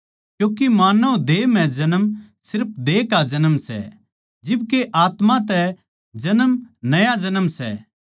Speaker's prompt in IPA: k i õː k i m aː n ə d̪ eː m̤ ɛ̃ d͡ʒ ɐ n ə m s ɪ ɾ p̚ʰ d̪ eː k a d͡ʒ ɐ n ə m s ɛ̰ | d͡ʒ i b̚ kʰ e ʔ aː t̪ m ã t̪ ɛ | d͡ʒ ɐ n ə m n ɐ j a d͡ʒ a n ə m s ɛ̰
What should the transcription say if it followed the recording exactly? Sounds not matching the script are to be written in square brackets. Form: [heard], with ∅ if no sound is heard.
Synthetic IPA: k [j] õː k i m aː n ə d̪ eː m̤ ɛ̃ d͡ʒ ɐ n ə m s ɪ ɾ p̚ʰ d̪ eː k a d͡ʒ ɐ n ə m s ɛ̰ | d͡ʒ [ɪ] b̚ [k] e ʔ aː t̪ m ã t̪ ɛ | d͡ʒ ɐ n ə m n ɐ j a d͡ʒ [ɐ] n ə m s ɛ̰